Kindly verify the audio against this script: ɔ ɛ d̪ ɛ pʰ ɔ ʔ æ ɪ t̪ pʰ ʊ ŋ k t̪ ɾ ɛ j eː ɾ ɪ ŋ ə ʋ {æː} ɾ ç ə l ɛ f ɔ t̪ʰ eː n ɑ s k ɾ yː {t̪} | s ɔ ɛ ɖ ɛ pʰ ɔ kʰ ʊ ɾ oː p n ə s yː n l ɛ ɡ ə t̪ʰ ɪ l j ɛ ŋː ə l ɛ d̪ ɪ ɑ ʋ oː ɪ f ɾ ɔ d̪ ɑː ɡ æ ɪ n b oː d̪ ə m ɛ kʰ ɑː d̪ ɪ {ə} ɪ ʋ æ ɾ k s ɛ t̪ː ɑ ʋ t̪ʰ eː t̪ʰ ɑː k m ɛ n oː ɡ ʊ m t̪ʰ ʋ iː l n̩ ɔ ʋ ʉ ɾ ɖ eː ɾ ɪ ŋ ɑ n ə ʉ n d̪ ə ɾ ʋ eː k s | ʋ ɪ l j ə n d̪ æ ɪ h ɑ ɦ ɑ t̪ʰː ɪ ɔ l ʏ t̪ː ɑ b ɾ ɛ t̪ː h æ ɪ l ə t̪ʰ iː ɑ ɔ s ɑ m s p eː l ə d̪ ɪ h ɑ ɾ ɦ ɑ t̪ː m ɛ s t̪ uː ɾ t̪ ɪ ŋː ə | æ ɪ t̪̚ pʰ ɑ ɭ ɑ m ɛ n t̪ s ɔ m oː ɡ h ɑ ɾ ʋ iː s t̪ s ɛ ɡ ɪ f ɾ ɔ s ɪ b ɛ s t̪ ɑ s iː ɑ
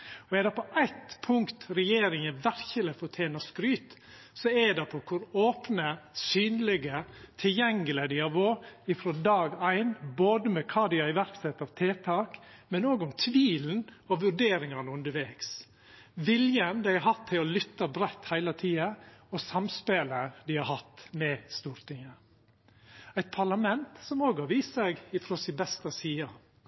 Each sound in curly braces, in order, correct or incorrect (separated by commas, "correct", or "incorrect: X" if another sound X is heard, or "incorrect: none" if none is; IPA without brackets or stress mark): incorrect: æ, correct, incorrect: ɑ